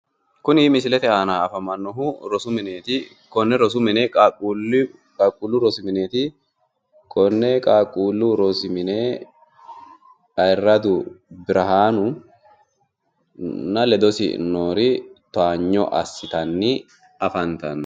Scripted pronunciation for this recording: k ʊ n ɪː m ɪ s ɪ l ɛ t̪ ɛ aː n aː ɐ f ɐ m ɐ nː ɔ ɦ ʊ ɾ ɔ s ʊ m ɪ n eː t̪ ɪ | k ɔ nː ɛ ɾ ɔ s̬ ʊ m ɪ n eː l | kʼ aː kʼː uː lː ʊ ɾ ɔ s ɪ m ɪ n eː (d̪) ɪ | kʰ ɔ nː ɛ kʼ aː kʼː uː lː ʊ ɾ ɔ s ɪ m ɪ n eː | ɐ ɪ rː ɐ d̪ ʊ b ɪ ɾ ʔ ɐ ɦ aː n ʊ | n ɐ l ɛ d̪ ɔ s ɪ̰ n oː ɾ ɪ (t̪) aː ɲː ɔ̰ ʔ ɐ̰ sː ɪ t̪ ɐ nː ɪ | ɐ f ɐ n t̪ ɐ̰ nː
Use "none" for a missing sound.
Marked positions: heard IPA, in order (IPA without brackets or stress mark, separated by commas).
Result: t̪, t̪